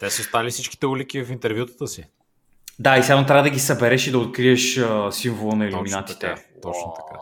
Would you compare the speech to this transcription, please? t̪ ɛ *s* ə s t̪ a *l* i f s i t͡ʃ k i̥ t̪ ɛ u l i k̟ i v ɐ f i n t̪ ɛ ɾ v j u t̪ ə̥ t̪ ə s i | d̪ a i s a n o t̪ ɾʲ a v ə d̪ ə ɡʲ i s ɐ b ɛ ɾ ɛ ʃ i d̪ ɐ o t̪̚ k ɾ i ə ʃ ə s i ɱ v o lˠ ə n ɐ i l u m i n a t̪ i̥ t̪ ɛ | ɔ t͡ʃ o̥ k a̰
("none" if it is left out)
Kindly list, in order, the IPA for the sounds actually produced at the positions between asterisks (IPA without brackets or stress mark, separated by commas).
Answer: s, l